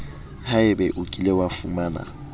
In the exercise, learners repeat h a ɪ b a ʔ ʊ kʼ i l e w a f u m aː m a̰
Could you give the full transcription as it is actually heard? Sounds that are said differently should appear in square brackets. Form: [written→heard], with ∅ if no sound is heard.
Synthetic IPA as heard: h a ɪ b [a→ɛ] ʔ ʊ kʼ i l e w a f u m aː [m→n] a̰